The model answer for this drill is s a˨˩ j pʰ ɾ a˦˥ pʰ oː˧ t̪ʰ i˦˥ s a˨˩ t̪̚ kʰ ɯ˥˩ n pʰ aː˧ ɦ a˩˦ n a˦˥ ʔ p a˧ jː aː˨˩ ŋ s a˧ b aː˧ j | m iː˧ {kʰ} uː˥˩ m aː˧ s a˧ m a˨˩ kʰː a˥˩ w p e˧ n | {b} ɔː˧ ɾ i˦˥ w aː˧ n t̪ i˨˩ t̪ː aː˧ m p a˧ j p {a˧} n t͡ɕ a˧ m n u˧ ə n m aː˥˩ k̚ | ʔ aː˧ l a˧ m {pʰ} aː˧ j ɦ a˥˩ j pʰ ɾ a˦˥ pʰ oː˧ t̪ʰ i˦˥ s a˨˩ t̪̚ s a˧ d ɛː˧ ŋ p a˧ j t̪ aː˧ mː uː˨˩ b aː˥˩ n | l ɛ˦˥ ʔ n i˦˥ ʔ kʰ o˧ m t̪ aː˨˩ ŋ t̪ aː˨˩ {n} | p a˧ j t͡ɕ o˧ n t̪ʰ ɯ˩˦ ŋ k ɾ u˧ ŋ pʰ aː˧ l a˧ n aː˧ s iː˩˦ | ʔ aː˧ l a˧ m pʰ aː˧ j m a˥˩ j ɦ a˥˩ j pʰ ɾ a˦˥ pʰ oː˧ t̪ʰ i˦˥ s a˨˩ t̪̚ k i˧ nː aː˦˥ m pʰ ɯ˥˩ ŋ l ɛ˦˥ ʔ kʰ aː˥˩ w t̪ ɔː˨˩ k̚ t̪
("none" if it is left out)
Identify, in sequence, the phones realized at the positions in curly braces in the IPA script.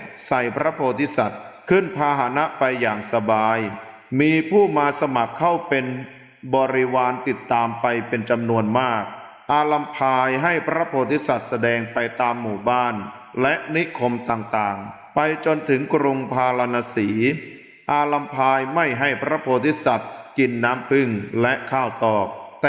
pʰ, b, e˧, pʰ, ŋ

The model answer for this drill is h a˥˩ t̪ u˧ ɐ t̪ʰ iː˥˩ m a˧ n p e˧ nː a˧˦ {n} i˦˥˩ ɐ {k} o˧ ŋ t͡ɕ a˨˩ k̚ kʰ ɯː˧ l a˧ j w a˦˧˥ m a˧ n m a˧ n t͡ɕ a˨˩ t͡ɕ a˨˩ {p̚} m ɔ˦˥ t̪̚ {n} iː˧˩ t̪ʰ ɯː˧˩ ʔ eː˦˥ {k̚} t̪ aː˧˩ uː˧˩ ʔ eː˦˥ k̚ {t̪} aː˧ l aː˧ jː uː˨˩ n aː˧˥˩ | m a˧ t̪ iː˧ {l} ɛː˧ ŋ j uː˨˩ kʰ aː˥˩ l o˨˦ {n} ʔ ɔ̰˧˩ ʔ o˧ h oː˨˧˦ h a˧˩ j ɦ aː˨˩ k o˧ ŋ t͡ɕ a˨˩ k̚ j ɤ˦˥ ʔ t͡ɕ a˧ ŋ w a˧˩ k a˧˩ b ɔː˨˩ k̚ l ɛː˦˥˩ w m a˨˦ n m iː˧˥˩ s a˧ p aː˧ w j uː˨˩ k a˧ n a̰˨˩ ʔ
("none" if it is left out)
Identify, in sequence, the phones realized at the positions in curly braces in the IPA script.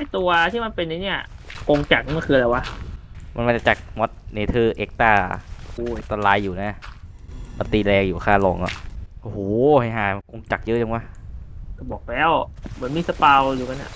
n, k, k̚, n, k̚, t̪, l, ŋ

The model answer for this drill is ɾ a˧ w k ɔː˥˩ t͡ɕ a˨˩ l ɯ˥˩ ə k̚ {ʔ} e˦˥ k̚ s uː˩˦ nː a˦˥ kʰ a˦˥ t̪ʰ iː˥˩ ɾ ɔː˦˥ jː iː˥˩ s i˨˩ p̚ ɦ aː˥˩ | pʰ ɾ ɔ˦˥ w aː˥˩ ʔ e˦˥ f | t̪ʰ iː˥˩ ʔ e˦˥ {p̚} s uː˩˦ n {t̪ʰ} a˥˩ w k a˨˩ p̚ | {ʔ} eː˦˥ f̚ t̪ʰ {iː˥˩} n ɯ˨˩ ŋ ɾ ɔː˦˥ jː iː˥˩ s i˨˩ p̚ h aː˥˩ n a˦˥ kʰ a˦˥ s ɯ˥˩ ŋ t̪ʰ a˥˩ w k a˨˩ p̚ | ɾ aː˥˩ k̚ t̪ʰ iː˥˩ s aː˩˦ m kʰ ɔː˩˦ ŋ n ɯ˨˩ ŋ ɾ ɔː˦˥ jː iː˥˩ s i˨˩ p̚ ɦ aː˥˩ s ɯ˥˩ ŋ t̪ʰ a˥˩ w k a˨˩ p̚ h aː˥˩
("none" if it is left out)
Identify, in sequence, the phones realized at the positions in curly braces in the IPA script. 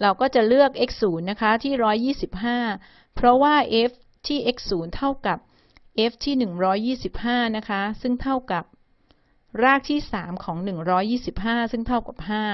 ʔ, k̚, t̪ʰ, ʔ, iː˥˩

